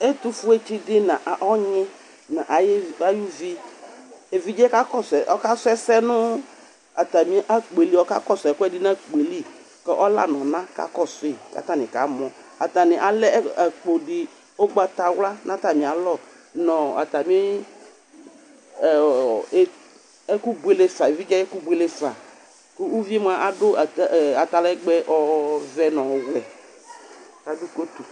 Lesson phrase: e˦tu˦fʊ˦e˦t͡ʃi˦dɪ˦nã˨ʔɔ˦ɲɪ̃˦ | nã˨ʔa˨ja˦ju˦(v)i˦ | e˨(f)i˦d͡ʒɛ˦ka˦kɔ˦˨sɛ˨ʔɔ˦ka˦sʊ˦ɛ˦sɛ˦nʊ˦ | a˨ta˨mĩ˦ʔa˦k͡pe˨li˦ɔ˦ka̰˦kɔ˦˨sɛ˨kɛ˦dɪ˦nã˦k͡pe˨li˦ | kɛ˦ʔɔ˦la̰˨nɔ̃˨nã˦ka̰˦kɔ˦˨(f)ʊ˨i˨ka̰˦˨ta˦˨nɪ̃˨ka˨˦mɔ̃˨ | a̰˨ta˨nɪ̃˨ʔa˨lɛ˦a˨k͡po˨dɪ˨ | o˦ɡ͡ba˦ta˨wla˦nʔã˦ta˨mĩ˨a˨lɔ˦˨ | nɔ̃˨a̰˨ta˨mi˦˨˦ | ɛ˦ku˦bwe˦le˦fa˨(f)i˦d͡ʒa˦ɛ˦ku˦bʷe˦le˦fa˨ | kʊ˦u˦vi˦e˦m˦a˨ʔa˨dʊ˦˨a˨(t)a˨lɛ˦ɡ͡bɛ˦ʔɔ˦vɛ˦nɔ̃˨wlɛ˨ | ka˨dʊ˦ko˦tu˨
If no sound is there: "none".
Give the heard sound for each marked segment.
v, v, s, v, t

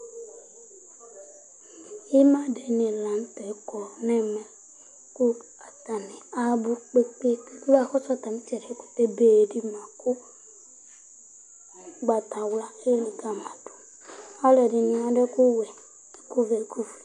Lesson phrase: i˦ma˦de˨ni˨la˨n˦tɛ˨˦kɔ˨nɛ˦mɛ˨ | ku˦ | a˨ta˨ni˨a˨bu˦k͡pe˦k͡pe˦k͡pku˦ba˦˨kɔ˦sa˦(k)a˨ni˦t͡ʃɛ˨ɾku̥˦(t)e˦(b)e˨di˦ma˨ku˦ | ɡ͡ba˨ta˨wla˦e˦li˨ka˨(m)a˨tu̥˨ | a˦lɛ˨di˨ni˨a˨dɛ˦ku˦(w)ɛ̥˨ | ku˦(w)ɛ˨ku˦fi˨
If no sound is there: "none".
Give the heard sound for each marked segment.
t, t, b, m, w, v

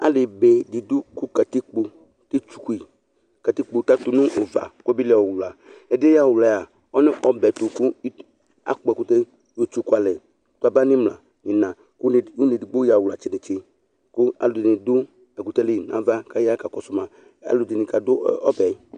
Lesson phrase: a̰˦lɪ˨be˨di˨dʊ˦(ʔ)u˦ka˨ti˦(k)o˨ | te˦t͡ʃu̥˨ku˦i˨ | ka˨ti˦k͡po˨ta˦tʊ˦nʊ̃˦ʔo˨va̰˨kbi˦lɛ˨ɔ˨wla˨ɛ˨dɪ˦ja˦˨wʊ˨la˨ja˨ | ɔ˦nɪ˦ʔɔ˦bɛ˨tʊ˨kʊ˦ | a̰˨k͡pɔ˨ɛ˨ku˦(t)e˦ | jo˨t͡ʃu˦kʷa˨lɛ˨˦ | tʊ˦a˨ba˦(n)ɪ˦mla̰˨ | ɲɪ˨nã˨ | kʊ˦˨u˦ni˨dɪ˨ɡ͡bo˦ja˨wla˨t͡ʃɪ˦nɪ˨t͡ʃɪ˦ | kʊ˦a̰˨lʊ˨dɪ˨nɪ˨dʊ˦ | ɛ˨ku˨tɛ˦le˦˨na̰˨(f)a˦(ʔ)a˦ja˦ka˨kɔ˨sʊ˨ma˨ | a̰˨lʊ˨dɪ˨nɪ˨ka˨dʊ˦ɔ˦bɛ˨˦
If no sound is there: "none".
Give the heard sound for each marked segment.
k, k͡p, t, n, v, k

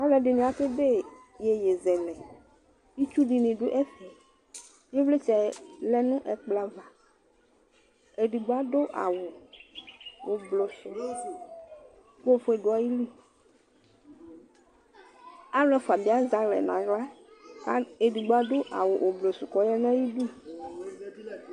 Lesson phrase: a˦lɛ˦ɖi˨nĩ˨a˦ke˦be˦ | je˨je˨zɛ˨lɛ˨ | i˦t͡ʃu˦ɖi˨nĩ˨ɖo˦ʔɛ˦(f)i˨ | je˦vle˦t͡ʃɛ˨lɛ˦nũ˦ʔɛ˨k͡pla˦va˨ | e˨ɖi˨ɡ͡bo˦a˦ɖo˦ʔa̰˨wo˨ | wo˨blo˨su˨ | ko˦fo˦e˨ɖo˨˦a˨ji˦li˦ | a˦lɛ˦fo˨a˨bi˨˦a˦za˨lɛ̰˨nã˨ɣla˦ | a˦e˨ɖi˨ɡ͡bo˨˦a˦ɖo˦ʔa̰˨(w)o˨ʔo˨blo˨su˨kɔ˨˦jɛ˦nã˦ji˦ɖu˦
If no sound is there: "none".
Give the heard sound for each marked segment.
f, w

